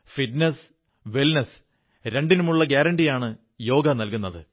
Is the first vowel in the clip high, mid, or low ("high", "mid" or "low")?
high